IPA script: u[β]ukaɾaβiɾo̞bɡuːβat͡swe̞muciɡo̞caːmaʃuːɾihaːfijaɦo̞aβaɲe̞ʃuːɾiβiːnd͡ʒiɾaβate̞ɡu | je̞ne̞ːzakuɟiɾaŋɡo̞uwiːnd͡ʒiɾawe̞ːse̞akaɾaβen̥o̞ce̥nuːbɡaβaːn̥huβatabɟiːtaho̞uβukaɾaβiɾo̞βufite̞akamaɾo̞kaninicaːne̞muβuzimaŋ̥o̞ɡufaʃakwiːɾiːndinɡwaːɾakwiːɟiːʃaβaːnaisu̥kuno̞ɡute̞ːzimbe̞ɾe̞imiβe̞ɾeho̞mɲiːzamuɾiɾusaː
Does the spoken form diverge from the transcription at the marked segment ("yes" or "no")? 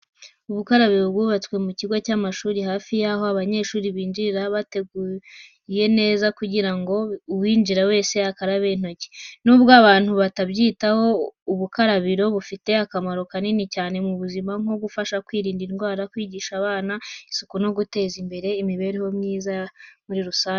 no